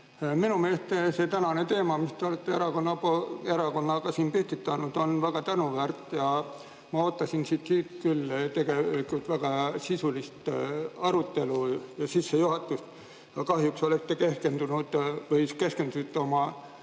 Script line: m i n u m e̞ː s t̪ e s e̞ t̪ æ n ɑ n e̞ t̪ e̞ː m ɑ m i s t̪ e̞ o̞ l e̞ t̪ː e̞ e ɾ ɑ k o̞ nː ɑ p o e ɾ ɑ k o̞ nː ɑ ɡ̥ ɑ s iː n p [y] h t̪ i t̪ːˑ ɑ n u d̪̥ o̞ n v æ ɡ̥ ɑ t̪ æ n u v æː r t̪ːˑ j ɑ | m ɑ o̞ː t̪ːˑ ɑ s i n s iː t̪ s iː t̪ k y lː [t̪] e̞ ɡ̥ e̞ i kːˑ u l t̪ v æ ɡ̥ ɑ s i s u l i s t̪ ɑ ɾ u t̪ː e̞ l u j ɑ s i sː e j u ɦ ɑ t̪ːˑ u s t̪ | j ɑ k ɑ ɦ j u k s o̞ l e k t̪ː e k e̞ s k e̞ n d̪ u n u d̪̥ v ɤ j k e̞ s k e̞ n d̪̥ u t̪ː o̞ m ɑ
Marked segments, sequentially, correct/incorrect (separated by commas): correct, correct